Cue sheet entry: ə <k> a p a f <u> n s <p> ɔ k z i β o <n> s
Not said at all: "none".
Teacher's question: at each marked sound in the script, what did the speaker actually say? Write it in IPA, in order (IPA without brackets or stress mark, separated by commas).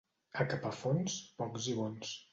k, o, p, n